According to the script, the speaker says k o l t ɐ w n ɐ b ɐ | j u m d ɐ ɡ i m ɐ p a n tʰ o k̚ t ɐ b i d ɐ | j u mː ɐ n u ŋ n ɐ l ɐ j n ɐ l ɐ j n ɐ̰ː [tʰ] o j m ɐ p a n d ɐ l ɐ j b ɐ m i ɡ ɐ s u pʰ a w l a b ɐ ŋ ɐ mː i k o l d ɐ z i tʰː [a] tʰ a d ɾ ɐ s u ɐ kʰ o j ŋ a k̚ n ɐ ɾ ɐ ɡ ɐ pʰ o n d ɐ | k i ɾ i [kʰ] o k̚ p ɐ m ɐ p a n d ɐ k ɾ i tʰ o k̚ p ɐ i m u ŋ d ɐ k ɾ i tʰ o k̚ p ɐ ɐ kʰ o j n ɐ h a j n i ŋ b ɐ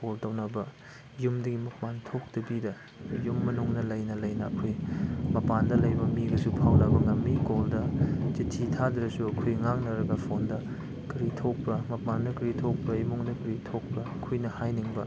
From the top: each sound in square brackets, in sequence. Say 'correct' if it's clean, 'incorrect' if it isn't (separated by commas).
incorrect, incorrect, incorrect